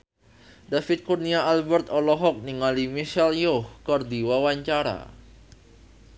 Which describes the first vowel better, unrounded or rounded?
unrounded